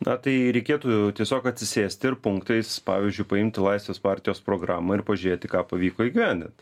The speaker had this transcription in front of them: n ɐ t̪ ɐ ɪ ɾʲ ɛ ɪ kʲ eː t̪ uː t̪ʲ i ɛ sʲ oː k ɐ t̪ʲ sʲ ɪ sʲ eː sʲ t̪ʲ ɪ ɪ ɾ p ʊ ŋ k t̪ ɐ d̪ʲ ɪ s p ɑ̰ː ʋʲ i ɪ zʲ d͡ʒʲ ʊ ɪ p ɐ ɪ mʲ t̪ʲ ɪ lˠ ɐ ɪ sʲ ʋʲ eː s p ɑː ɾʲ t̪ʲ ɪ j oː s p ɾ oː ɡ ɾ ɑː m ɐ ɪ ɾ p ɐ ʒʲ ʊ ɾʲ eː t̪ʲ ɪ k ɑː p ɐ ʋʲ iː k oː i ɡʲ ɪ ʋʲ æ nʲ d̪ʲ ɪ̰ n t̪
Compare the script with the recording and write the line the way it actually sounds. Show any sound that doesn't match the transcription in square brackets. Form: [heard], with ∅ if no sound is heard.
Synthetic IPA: n ɐ t̪ ɐ ɪ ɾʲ ɛ ɪ kʲ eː t̪ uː t̪ʲ i ɛ sʲ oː k ɐ t̪ʲ sʲ ɪ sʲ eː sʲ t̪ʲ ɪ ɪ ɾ p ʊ ŋ k t̪ ɐ [∅] ɪ s p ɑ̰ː ʋʲ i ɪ zʲ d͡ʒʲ ʊ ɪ p ɐ ɪ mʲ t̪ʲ ɪ lˠ ɐ ɪ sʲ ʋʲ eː s p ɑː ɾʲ t̪ʲ ɪ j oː s p ɾ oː ɡ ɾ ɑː m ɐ ɪ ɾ p ɐ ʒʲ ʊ ɾʲ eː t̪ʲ ɪ k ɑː p ɐ ʋʲ iː k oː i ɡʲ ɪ ʋʲ æ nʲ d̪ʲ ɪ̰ n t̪